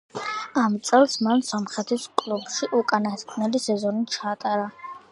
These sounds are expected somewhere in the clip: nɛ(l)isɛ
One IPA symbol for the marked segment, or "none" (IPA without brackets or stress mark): l